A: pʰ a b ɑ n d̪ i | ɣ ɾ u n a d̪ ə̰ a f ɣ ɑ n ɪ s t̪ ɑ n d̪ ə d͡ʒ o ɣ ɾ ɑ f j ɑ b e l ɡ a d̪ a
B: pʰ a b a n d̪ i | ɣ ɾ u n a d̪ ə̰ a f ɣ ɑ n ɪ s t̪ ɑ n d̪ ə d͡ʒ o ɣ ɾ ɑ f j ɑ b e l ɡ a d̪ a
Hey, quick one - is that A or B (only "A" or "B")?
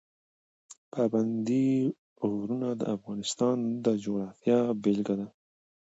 B